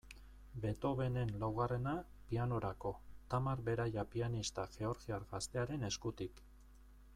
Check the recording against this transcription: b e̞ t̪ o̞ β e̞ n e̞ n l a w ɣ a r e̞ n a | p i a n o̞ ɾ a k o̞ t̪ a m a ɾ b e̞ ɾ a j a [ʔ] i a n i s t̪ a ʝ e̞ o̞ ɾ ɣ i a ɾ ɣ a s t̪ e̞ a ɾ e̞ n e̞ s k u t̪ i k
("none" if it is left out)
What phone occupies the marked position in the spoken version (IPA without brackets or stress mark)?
p